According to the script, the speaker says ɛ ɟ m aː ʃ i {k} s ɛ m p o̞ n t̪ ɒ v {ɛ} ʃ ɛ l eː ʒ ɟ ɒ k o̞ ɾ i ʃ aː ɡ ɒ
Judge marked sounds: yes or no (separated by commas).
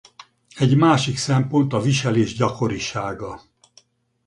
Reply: yes, no